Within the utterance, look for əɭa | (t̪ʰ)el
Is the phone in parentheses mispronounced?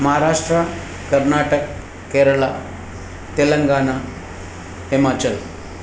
yes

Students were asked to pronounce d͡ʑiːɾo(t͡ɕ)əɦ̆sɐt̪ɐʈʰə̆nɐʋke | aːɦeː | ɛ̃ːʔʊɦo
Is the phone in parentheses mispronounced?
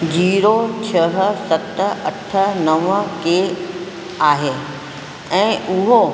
yes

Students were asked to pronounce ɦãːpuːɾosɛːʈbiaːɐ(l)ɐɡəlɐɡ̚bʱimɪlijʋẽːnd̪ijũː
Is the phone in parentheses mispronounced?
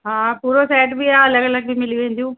no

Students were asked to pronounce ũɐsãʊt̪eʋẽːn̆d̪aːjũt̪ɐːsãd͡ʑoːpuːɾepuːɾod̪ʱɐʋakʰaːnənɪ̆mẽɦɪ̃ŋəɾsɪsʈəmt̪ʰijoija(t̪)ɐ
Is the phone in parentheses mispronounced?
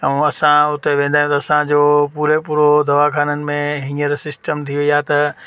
no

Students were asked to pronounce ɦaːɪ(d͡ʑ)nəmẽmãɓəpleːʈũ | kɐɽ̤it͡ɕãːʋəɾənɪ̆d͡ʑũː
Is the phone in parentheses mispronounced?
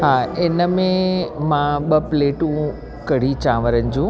yes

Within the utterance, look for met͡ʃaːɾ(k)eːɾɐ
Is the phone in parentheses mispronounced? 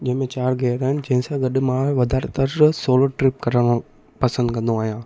yes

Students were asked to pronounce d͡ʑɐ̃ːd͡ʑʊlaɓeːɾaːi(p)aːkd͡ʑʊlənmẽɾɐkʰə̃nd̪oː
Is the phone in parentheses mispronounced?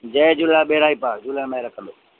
no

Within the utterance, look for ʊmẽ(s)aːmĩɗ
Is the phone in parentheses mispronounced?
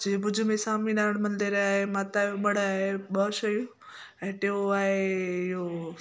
no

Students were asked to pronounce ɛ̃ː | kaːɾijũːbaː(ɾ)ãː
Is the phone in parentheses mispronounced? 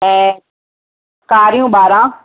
no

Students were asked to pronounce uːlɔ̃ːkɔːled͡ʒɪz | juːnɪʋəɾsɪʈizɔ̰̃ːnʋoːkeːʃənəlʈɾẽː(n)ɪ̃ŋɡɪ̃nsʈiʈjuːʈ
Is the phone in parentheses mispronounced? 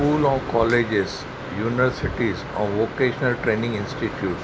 no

